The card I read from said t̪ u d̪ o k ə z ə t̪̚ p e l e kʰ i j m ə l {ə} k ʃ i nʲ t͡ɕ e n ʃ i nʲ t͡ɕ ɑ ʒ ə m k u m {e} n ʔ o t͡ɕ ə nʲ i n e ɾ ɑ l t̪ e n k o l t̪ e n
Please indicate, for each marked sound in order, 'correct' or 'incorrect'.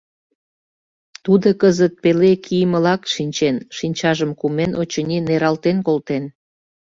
incorrect: ɑ, correct

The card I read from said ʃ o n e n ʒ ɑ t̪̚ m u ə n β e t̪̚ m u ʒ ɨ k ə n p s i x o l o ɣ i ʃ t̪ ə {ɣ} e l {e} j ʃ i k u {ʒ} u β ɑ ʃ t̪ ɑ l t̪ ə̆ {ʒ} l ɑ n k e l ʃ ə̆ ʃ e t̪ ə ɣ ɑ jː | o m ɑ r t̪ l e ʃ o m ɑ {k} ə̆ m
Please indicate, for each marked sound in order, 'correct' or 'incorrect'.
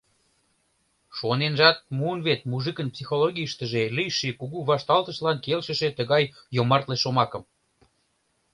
incorrect: ʒ, incorrect: i, incorrect: ɣ, incorrect: ʃ, correct

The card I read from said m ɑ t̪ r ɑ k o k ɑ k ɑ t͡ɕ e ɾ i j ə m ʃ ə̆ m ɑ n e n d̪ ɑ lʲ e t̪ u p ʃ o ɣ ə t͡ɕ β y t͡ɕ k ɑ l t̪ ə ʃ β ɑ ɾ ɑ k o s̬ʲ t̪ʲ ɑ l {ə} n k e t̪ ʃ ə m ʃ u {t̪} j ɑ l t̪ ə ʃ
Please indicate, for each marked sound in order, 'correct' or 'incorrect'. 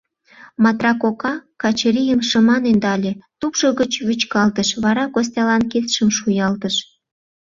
incorrect: ɑ, incorrect: none

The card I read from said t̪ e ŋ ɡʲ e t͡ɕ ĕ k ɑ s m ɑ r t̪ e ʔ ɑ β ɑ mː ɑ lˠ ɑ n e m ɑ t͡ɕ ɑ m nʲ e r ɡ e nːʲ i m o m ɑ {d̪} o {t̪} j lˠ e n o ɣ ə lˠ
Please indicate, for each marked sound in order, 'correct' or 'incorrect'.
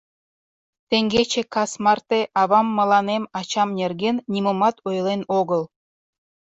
incorrect: t̪, incorrect: none

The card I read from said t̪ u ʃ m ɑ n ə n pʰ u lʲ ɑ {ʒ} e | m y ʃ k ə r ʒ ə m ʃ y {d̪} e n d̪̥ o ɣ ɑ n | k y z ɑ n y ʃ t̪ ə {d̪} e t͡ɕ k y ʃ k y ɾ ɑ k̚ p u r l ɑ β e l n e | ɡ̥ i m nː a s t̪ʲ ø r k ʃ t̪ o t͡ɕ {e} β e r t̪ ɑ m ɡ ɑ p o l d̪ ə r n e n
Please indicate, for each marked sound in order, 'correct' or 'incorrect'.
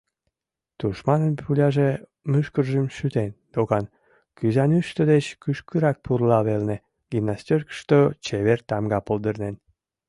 correct, incorrect: t̪, correct, correct

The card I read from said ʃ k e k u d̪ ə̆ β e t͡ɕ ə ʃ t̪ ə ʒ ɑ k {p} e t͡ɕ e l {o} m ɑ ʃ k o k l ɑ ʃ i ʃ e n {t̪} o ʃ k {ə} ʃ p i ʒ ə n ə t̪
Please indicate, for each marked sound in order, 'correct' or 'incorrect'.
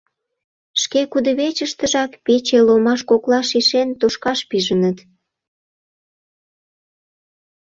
correct, correct, correct, incorrect: ɑ

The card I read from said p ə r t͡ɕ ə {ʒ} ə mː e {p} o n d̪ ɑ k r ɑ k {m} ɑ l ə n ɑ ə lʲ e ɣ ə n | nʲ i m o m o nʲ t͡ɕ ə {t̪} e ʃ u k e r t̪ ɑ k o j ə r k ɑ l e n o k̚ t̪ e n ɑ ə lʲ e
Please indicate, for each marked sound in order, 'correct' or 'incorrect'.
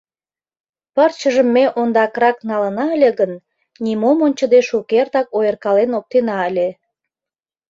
correct, incorrect: ʔ, incorrect: n, incorrect: d̪

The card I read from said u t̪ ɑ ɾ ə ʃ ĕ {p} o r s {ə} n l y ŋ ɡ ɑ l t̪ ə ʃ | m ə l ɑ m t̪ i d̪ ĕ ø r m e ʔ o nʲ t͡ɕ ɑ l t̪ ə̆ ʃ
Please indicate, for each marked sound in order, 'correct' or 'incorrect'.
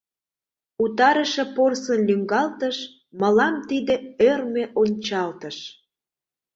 correct, correct

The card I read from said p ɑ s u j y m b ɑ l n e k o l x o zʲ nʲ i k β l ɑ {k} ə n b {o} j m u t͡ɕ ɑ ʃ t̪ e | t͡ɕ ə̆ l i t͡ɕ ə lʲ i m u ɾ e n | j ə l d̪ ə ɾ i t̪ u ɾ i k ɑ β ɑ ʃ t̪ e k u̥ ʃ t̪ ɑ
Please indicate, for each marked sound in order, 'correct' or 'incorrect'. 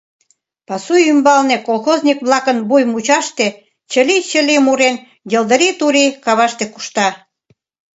correct, incorrect: u

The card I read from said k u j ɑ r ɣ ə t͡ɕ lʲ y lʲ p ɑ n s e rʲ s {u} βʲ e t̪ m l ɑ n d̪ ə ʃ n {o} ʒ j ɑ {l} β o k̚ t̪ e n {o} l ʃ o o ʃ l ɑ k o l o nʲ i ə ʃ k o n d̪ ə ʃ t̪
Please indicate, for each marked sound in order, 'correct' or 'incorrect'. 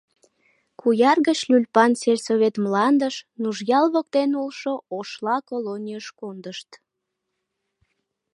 incorrect: o, incorrect: u, correct, incorrect: u

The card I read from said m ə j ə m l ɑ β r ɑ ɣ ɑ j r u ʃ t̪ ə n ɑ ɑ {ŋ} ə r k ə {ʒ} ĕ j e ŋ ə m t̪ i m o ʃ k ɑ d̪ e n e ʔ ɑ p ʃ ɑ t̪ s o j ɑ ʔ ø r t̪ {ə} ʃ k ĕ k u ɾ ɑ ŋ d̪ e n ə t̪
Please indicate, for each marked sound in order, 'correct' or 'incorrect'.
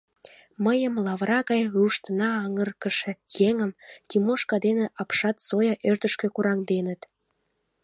correct, incorrect: ʃ, correct

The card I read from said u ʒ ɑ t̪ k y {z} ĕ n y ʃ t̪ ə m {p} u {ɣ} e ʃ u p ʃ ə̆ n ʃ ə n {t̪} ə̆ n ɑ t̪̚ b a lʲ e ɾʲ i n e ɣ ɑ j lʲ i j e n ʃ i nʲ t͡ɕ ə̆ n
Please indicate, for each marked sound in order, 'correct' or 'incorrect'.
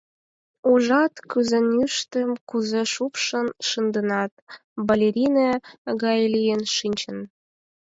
correct, incorrect: k, incorrect: z, incorrect: d̪

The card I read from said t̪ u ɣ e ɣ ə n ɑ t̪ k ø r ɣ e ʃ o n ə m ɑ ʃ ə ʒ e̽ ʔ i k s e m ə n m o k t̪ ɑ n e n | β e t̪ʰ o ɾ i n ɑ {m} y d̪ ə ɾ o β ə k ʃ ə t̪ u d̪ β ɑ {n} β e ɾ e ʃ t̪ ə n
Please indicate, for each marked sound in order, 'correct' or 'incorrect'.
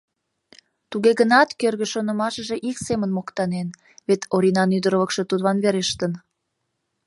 incorrect: n, correct

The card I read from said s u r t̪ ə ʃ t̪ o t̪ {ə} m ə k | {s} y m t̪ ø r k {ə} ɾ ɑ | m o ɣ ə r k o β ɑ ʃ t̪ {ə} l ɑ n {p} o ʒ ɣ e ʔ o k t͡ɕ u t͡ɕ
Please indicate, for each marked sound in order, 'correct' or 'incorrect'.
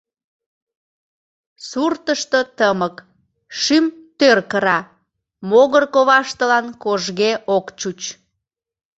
correct, incorrect: ʃ, correct, correct, incorrect: k

